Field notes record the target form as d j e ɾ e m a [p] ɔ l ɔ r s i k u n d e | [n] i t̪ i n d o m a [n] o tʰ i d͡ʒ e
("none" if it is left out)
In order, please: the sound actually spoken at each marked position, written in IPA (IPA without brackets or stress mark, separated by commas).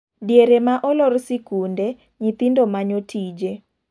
ʔ, ɲ, ɲ